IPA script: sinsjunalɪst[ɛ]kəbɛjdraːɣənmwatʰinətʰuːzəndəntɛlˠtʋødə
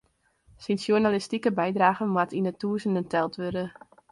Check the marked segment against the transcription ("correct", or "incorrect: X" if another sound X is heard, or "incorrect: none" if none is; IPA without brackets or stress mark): incorrect: i